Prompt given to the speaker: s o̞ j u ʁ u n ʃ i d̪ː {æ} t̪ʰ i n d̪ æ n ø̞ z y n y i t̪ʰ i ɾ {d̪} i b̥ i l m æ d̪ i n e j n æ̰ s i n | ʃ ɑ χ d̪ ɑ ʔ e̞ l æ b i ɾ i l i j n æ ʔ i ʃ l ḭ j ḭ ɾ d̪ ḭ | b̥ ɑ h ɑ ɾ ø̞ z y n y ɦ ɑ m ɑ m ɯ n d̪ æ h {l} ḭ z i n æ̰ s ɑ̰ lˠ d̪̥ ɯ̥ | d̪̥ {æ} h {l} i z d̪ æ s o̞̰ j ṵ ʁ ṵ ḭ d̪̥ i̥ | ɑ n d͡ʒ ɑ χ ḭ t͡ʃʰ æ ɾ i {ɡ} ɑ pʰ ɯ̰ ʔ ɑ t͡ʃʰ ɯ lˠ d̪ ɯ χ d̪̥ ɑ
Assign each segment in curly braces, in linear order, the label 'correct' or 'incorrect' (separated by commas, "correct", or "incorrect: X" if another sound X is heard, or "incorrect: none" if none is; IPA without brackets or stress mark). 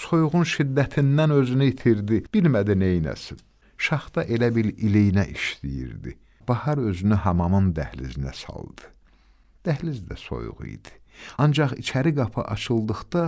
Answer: correct, correct, correct, correct, correct, correct